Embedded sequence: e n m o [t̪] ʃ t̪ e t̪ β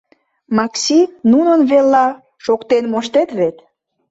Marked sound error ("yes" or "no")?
yes